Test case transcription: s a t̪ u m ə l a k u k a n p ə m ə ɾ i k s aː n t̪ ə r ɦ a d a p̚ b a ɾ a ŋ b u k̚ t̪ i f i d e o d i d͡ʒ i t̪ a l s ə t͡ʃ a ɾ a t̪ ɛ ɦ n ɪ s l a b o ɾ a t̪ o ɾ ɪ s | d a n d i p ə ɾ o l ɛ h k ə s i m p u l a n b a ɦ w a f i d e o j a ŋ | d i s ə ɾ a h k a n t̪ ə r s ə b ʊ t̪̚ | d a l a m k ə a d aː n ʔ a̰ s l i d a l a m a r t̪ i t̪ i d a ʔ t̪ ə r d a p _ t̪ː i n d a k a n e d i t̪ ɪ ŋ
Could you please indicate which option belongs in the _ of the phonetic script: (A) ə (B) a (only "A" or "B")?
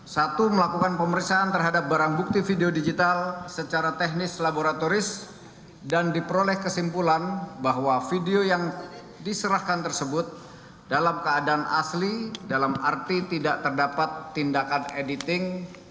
B